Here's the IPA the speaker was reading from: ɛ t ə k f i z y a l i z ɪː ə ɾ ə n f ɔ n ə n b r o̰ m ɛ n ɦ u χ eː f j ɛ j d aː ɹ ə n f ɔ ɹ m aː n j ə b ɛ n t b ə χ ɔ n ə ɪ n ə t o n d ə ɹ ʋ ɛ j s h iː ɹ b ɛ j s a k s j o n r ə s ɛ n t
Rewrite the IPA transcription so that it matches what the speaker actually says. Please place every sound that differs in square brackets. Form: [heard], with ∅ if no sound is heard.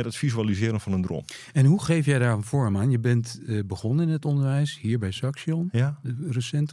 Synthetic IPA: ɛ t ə [t] f i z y a l i z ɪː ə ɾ ə n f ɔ n ə n [d] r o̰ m ɛ n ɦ u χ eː f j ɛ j d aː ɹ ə n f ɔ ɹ m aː n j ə b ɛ n t b ə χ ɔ n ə ɪ n ə t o n d ə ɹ ʋ ɛ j s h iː ɹ b ɛ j s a k s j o n r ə s ɛ n t